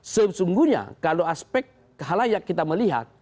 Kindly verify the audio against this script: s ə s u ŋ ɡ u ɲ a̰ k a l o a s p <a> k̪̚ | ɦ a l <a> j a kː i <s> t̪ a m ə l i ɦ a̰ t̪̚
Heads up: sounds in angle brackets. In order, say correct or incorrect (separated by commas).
incorrect, correct, incorrect